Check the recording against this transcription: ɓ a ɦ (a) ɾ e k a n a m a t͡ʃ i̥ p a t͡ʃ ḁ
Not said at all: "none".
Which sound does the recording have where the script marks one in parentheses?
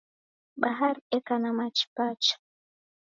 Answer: a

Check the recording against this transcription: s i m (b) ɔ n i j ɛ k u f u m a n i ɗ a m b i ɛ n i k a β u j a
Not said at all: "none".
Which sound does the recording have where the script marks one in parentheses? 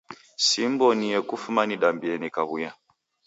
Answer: b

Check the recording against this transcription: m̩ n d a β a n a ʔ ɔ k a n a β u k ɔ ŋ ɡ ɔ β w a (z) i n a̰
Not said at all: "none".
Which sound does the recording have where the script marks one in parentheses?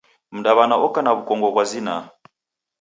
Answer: z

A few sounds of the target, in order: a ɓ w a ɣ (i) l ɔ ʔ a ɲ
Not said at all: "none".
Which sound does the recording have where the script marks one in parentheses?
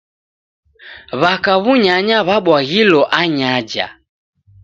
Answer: i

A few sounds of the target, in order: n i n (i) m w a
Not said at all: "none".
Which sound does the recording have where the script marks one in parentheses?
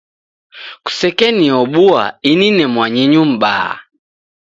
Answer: ɛ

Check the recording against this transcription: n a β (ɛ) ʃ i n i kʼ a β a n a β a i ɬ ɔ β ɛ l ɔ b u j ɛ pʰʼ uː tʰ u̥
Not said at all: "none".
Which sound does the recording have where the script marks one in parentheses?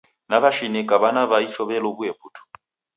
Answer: a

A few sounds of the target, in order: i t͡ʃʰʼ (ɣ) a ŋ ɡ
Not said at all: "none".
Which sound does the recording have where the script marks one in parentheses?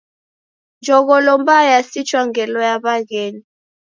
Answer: w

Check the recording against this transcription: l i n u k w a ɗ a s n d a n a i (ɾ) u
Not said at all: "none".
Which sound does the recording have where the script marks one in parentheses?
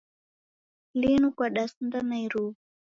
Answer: ɾ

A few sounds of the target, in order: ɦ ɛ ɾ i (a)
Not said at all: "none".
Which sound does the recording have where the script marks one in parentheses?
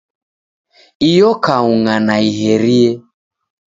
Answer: ɛ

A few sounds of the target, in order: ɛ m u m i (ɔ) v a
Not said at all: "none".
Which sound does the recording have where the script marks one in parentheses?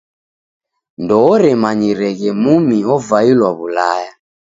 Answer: ɔ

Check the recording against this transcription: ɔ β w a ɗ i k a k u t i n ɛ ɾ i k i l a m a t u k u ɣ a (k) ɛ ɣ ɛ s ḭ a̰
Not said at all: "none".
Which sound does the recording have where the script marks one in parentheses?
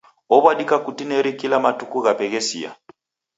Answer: p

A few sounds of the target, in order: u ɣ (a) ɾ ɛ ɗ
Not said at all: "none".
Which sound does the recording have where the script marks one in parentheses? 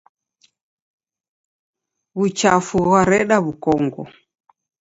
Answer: a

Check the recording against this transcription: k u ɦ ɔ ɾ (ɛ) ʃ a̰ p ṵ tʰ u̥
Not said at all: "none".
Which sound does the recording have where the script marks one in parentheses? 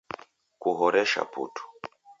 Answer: ɛ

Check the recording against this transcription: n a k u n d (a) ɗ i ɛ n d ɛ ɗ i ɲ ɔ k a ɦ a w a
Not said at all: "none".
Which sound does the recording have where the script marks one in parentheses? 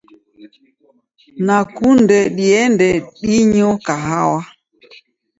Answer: ɛ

